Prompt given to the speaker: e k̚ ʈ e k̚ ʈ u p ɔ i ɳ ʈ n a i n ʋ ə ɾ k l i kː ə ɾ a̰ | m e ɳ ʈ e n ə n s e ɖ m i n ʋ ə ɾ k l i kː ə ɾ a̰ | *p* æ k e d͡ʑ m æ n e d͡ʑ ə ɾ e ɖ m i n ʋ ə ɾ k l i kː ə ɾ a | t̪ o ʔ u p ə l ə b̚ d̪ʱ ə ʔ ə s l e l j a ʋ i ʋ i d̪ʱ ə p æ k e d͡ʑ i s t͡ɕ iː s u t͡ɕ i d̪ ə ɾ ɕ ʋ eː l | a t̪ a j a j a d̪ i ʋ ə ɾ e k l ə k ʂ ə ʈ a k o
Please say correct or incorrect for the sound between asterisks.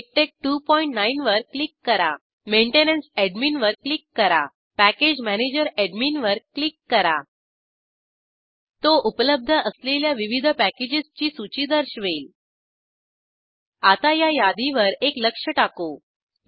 correct